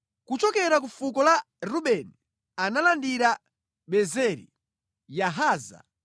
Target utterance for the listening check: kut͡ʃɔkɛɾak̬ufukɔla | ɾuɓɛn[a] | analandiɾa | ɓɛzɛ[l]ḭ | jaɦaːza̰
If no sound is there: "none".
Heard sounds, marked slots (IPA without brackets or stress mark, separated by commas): i, ɾ